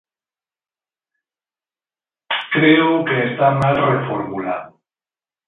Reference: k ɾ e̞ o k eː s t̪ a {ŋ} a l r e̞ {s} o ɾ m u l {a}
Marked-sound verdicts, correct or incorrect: incorrect: m, incorrect: f, correct

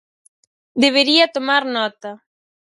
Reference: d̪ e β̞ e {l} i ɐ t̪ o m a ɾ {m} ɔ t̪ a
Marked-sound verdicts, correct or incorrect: incorrect: ɾ, incorrect: n

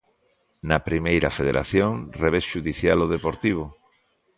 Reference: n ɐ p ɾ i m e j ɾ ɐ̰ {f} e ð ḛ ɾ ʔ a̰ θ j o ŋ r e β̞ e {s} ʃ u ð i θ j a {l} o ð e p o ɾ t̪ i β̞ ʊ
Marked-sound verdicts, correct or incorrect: correct, correct, correct

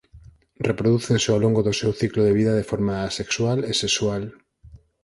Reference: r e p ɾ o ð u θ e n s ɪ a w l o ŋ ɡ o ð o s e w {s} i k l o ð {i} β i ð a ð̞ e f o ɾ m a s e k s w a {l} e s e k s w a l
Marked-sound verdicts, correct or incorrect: incorrect: θ, incorrect: e, correct

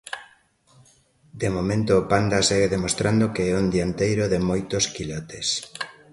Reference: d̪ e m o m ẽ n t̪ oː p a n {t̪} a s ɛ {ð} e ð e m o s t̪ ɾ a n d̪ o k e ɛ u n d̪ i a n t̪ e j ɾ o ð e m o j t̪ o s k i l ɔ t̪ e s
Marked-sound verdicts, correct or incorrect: incorrect: d̪, incorrect: ɣ

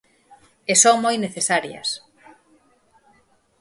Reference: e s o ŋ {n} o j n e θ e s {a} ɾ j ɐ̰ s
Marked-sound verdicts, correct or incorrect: incorrect: m, correct

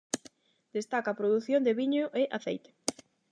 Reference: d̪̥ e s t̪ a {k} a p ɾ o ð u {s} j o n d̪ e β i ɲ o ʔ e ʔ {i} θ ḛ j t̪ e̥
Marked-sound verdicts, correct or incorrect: correct, incorrect: θ, incorrect: a

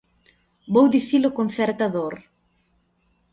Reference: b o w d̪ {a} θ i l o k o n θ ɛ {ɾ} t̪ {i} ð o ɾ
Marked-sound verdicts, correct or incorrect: incorrect: i, correct, incorrect: a

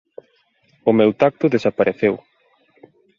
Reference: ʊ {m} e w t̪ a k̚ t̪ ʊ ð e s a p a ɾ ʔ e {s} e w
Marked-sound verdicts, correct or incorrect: correct, incorrect: θ

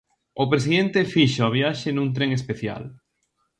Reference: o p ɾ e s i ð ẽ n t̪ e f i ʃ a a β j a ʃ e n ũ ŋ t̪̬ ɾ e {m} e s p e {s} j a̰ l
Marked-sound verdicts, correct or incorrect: incorrect: ŋ, incorrect: θ

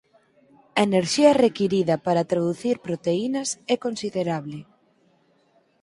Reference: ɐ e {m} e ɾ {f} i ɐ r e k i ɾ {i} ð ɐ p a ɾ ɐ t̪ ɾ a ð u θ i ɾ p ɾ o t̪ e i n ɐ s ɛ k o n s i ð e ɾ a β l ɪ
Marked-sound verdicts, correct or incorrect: incorrect: n, incorrect: ʃ, correct

